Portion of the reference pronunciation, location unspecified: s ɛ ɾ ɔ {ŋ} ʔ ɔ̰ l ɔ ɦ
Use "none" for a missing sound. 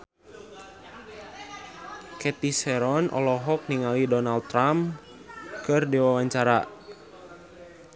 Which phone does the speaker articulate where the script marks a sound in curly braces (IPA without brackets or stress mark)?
n